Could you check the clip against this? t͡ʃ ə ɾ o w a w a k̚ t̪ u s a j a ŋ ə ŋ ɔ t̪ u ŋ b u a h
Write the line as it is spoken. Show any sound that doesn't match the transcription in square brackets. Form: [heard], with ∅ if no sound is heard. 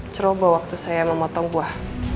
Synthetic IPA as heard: t͡ʃ ə ɾ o [b] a w a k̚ t̪ u s a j a [m] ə [m] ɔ t̪ [ɔ] ŋ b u a h